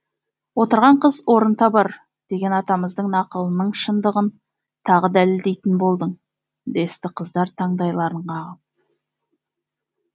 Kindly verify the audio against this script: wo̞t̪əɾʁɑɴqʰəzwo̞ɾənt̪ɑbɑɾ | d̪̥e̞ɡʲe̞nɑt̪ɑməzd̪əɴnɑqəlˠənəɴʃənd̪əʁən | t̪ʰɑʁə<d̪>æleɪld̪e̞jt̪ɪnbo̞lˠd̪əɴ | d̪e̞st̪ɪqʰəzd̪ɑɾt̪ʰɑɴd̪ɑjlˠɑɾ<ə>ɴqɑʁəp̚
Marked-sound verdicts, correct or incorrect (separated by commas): correct, correct